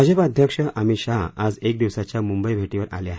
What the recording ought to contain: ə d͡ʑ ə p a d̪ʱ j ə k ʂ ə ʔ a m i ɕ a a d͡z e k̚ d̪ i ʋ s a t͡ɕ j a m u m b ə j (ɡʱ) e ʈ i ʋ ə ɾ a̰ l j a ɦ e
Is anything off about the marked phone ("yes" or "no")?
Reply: yes